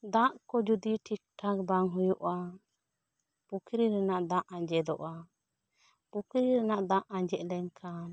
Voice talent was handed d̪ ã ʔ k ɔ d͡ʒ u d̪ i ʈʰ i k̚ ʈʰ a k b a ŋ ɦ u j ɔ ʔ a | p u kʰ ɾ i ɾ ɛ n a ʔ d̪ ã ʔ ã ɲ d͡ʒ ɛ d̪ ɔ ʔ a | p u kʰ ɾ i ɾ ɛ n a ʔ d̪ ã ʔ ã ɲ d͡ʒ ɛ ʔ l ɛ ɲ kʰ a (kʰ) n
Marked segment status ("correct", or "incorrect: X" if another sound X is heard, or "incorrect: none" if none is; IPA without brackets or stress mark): incorrect: none